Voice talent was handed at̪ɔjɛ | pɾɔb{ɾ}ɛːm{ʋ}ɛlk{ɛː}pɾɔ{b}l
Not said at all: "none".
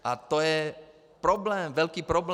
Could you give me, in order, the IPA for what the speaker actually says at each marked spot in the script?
l, ʋ, iː, b

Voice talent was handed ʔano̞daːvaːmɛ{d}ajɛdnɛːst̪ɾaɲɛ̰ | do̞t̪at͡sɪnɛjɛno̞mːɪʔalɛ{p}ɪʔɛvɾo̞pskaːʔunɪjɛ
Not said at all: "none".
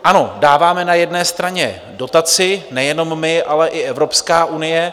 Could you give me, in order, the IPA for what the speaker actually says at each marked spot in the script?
n, ʔ

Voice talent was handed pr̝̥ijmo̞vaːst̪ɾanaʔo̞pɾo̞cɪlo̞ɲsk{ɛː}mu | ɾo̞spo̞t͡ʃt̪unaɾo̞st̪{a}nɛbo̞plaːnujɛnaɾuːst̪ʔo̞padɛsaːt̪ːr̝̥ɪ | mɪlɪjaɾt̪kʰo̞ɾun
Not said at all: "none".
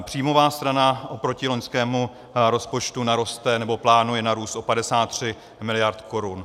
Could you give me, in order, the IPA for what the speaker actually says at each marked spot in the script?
ɛː, ɛ

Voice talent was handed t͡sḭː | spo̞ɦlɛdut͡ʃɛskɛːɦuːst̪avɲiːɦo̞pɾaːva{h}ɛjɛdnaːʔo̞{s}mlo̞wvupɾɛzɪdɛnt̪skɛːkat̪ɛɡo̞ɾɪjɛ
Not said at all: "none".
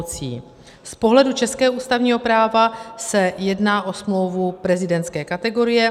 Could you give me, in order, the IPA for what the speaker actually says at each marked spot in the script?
s, s

